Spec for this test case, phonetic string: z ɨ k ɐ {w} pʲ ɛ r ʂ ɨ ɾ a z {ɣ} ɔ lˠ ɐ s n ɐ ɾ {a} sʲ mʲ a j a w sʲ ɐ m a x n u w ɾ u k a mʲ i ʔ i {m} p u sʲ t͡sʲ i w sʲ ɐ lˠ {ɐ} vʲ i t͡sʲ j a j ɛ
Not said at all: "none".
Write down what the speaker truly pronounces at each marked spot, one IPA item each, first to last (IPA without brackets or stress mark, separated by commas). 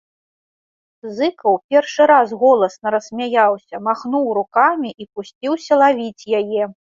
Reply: w, ɣ, ɐ, none, a